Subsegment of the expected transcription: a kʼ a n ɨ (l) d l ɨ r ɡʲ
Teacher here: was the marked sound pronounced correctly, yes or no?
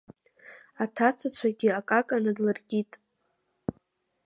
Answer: no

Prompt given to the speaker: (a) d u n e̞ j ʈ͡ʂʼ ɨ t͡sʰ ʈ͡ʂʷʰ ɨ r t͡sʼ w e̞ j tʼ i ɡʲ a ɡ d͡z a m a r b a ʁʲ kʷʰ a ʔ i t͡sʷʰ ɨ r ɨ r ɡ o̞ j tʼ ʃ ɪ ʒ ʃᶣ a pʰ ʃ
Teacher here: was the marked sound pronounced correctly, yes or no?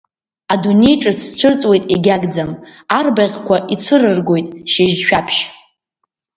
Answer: yes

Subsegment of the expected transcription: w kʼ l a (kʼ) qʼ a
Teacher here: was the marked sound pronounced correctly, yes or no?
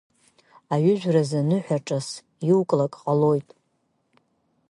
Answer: yes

